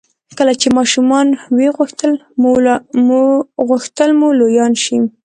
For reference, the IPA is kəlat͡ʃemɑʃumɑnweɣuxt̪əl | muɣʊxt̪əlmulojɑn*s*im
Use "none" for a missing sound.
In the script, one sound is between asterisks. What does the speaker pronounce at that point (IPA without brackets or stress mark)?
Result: ʃ